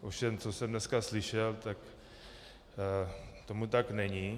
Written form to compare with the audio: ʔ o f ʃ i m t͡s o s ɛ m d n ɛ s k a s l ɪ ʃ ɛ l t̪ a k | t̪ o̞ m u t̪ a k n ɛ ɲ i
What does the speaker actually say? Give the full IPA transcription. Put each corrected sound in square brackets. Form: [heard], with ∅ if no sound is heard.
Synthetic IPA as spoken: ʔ o f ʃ [ɛ] m t͡s o s ɛ m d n ɛ s k a s l ɪ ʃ ɛ l t̪ a k | t̪ o̞ m u t̪ a k n ɛ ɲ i